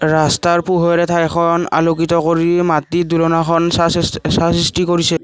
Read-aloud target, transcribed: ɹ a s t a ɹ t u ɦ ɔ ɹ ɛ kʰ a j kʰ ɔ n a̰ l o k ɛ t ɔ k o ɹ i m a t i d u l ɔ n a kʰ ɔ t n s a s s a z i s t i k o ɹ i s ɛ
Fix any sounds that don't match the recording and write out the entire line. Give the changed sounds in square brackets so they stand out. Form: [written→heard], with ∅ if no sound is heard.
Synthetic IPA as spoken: ɹ a s t a ɹ [t→p] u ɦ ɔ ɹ ɛ [kʰ→tʰ] a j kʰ ɔ n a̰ l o k [ɛ→i] t ɔ k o ɹ i m a t i d u l ɔ n a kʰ ɔ [t→∅] n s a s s a [z→s] i s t i k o ɹ i s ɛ